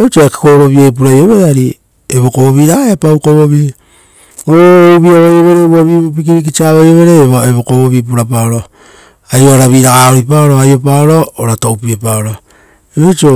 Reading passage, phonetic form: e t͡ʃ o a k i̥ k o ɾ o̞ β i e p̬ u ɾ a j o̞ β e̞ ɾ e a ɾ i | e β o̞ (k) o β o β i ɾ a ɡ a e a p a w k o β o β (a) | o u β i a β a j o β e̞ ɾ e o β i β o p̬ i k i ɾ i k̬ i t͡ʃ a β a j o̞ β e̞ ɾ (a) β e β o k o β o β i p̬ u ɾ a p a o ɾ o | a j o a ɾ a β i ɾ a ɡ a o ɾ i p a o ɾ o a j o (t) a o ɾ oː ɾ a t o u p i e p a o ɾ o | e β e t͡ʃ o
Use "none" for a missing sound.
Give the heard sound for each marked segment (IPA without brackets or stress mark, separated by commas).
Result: k, i, e, p